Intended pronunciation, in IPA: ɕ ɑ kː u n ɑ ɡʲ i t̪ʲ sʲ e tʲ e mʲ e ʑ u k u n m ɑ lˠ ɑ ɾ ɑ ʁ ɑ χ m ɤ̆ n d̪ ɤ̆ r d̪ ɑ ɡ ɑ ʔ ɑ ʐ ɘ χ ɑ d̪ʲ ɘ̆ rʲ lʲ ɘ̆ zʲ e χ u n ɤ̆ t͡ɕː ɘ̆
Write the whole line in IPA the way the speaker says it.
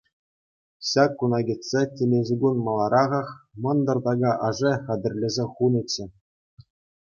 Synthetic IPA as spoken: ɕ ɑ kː u n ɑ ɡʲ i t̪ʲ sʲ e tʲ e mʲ e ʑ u ɡ u n m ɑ lˠ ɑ ɾ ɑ ʁ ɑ χ m ɤ̆ n d̪ ɤ̆ r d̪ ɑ ɡ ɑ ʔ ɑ ʐ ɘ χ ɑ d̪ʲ ɘ̆ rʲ lʲ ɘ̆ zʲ e χ u n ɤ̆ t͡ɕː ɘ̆